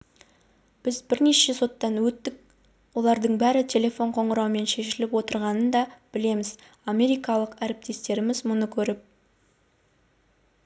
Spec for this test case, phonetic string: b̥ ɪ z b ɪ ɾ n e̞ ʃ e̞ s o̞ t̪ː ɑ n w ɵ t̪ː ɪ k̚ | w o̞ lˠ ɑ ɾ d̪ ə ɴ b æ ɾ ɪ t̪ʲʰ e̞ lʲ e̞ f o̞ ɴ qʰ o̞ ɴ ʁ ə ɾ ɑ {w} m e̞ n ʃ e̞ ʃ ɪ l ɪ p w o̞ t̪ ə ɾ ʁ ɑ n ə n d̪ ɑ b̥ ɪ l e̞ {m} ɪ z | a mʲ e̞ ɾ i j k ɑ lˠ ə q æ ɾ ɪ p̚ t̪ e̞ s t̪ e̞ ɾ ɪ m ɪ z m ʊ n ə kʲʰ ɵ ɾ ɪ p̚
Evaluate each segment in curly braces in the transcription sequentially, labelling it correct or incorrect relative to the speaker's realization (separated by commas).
correct, correct